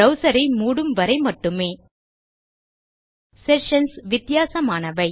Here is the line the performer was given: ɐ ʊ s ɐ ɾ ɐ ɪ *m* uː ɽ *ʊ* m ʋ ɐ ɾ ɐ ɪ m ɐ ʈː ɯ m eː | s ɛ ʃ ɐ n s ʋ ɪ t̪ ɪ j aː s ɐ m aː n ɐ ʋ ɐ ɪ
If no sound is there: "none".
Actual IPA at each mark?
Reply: m, ɯ

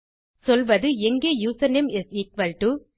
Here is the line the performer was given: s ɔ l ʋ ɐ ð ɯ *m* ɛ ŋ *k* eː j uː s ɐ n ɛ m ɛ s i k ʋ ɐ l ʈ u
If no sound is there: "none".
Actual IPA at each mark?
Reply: none, ɡ

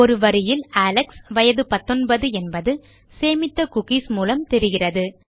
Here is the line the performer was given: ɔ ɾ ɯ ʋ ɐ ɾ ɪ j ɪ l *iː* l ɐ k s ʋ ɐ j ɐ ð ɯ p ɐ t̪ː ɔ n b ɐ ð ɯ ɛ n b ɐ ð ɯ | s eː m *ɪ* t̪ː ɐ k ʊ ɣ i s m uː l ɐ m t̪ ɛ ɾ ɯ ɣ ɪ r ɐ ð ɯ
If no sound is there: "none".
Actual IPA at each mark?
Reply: aː, ɪ

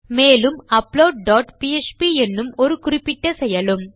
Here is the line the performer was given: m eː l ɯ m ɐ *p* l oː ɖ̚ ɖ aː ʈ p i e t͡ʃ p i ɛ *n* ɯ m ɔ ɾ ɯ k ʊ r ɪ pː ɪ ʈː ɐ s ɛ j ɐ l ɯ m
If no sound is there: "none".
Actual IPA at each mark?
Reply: p, nː

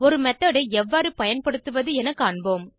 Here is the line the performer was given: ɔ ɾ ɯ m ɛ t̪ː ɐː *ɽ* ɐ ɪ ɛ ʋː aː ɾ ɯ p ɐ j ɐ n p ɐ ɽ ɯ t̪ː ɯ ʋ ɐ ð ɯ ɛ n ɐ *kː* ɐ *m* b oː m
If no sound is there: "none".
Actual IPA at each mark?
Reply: ɽ, kː, ɳ

